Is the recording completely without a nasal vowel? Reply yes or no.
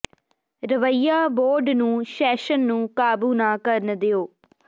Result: no